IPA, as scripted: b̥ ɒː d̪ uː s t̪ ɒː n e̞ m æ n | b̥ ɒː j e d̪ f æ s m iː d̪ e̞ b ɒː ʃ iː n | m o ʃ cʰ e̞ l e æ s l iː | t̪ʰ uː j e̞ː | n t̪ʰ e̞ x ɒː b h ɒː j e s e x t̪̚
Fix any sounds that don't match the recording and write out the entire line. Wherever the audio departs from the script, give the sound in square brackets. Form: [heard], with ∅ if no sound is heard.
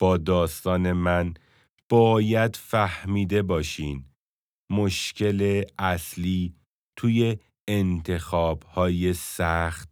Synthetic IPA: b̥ ɒː d̪ [ɒː] s t̪ ɒː n e̞ m æ n | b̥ ɒː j [æ] d̪ f æ [h] m iː d̪ e̞ b ɒː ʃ iː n | m o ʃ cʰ e̞ l e æ s l iː | t̪ʰ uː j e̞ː | n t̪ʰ e̞ x ɒː b h ɒː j e s [æ] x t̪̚